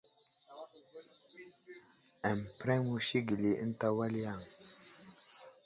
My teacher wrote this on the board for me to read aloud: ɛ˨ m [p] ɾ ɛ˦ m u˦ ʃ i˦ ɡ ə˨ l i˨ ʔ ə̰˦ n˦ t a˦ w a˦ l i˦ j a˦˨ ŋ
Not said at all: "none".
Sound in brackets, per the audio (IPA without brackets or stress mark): p